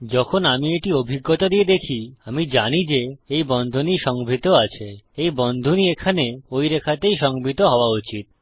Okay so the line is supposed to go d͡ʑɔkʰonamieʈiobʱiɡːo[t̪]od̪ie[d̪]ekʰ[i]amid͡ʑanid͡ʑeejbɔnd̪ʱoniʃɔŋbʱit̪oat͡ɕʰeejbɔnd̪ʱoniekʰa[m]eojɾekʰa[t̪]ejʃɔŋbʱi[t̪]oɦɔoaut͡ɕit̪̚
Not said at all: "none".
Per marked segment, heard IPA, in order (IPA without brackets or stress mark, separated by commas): t̪, d̪, i, n, t̪, t̪